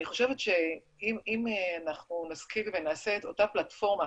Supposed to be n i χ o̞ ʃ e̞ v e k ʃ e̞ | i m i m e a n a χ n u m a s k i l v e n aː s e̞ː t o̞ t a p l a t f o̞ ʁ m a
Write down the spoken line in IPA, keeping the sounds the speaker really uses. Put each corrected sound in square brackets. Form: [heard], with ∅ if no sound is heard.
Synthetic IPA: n i χ o̞ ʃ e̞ v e [t] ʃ e̞ | i m i m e a n a χ n u [n] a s k i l v e n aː s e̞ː t o̞ t a p l a t f o̞ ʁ m a